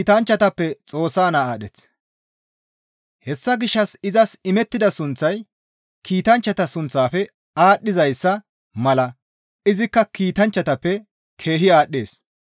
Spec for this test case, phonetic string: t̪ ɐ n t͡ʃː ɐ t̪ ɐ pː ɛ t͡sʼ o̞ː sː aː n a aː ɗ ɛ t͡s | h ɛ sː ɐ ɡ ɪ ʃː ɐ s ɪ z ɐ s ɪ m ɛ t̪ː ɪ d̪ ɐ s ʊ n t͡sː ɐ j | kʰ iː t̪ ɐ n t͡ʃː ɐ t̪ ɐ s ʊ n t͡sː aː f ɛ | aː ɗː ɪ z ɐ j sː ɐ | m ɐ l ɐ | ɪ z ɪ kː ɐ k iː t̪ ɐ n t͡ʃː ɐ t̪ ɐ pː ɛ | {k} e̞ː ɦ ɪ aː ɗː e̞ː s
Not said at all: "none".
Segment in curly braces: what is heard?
kʰ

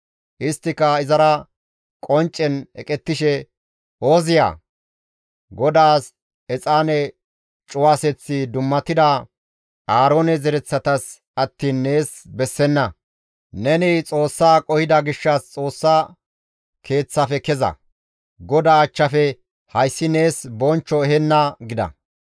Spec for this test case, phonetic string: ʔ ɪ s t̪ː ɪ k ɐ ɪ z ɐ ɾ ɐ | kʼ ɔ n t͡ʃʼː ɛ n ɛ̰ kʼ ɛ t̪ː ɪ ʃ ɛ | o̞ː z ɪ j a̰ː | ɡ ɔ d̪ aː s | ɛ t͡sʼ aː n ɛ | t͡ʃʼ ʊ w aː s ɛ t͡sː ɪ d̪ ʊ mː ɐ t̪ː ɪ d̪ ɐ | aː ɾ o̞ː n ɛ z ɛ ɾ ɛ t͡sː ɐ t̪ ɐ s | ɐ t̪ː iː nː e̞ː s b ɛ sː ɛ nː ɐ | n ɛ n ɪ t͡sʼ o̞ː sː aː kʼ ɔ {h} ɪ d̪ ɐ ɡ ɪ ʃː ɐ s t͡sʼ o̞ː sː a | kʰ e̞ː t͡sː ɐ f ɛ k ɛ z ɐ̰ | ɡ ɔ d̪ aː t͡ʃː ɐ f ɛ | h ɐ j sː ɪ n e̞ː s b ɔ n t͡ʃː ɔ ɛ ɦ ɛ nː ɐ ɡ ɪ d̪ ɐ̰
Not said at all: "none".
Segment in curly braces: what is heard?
h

